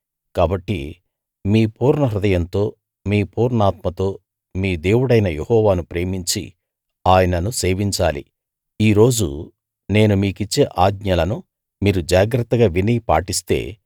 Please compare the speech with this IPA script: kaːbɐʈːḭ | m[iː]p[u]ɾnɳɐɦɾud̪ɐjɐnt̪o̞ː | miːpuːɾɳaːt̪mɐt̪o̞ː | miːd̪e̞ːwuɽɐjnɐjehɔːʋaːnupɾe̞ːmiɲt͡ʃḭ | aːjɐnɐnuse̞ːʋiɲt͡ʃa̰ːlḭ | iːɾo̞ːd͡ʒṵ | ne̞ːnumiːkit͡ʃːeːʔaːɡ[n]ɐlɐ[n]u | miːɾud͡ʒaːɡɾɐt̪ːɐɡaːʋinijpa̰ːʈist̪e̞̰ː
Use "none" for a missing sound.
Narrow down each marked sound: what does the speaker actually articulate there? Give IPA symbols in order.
iː, uː, ɲ, n

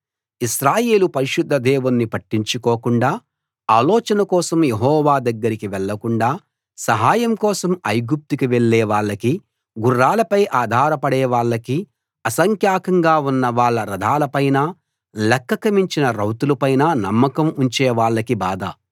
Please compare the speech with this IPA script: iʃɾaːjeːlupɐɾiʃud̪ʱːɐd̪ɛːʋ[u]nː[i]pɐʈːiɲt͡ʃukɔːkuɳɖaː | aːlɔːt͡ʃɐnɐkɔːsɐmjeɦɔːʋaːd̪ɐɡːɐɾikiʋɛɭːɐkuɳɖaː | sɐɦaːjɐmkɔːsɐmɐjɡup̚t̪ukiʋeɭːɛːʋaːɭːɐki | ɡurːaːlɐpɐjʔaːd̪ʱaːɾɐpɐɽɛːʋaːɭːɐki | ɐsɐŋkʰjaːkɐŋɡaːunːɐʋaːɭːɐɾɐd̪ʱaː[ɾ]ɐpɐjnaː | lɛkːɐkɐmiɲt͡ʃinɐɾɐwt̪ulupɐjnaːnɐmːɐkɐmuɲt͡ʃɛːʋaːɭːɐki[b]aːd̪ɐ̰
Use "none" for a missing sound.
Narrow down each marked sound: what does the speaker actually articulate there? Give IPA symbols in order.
u, i, l, b

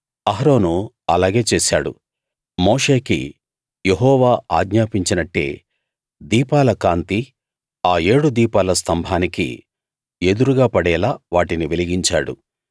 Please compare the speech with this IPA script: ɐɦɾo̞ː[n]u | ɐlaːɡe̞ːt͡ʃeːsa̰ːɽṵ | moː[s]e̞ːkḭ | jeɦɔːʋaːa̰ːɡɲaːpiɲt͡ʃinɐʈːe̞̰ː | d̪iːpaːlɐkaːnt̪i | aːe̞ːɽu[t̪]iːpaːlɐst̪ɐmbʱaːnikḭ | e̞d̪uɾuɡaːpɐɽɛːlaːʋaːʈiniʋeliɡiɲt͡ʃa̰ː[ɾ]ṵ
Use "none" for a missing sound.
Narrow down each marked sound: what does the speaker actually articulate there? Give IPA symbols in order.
n, ʂ, d̪, ɽ

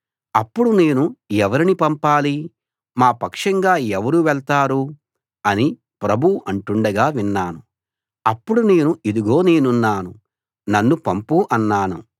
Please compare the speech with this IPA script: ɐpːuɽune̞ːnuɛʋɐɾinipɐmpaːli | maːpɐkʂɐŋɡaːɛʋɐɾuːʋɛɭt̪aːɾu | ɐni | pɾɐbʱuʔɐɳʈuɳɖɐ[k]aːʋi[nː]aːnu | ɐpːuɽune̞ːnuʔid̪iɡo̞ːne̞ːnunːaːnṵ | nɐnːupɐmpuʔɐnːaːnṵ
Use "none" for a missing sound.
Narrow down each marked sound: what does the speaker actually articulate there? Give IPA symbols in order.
ɡ, nː

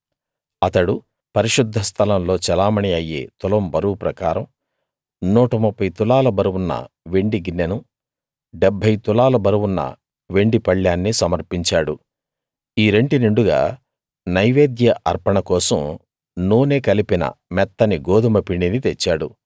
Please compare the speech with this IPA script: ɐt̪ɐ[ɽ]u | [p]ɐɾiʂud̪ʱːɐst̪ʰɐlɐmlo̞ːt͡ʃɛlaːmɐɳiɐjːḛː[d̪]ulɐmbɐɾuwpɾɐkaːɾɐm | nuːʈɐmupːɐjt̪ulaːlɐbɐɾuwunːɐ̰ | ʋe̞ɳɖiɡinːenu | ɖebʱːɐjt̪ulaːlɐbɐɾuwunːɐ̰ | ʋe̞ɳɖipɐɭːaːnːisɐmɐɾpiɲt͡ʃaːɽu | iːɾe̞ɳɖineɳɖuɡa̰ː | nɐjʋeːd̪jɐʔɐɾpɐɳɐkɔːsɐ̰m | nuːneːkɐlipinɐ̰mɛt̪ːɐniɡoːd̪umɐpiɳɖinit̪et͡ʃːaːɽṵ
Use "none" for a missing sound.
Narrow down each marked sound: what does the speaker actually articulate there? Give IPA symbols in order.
ɽ, p, t̪

